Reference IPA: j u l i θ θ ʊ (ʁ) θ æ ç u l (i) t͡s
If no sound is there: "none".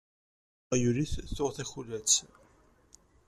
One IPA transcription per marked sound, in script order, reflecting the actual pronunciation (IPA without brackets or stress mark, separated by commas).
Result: ʁ, æ